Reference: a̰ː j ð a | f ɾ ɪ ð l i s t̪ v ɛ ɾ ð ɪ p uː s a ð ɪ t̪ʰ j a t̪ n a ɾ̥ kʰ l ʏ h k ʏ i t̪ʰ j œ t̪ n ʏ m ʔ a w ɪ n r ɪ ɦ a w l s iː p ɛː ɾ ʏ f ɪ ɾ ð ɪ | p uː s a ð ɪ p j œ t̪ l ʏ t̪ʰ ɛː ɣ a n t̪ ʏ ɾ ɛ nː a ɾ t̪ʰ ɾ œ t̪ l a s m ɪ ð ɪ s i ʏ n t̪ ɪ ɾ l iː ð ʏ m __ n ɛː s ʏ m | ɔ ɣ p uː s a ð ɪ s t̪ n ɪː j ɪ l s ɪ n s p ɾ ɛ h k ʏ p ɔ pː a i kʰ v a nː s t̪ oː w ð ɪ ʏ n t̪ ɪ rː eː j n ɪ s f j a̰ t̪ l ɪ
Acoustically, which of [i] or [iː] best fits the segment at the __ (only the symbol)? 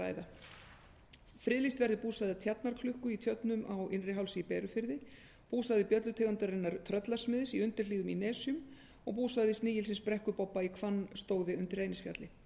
i